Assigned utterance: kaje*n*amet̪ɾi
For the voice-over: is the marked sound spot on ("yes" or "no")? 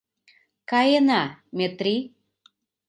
yes